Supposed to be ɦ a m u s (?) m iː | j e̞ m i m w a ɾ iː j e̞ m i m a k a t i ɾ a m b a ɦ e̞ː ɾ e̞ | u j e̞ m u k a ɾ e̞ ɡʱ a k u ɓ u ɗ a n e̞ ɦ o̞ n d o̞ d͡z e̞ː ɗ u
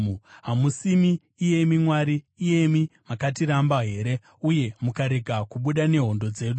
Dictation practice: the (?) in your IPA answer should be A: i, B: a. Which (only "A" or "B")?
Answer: A